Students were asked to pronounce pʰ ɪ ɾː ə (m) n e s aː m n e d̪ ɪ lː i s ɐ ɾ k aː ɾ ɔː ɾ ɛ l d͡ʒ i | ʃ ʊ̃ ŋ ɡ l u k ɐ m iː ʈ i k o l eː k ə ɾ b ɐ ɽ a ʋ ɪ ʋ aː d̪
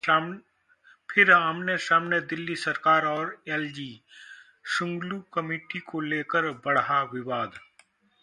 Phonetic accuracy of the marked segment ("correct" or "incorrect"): correct